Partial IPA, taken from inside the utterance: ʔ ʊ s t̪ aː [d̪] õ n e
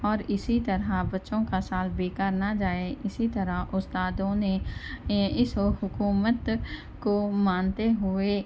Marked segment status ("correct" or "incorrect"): correct